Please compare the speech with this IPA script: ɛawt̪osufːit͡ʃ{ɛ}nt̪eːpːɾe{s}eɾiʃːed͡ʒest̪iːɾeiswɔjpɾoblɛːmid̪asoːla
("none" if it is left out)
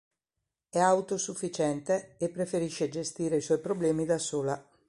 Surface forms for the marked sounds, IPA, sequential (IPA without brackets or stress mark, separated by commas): ɛ, f